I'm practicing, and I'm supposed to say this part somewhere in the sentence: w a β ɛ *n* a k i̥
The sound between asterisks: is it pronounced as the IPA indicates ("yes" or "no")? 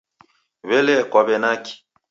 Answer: yes